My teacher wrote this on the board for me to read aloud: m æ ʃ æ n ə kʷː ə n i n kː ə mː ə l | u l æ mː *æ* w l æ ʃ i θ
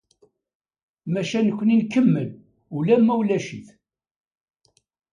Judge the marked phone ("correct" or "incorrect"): correct